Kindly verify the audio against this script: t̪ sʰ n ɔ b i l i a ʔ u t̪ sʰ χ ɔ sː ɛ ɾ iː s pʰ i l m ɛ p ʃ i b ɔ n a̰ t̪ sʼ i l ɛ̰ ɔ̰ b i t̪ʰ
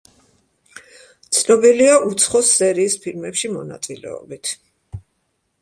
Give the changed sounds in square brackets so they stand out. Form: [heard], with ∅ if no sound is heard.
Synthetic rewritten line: t̪ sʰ n ɔ b i l i a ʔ u t̪ sʰ χ ɔ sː ɛ ɾ iː s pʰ i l m ɛ p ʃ i [m] ɔ n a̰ t̪ sʼ i l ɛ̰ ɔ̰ b i t̪ʰ